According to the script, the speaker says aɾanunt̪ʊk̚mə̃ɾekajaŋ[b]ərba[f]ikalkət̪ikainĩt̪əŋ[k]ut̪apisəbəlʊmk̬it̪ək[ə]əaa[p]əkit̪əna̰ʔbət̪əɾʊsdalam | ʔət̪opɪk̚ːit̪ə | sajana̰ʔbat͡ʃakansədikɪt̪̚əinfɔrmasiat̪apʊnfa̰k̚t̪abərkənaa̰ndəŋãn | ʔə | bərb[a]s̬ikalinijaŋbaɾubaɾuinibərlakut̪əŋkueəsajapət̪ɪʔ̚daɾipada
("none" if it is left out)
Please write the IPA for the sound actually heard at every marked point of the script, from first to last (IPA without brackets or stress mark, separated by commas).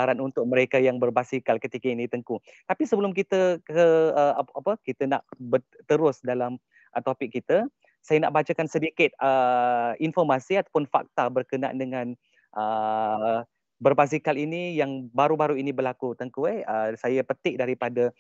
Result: b, s, k, ə, p, a